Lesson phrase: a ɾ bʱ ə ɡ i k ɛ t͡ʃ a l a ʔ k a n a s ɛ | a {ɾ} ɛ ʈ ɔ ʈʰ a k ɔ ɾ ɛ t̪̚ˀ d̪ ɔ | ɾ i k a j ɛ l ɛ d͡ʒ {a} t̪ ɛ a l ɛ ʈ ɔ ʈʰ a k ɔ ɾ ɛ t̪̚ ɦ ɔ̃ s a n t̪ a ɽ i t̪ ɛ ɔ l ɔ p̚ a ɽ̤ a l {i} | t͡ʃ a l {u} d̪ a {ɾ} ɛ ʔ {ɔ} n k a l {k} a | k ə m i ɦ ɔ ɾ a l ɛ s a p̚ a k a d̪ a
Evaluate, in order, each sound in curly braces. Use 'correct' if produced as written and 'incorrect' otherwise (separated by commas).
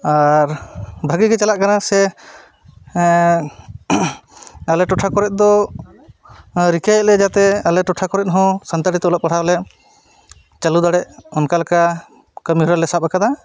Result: incorrect, correct, incorrect, correct, incorrect, correct, correct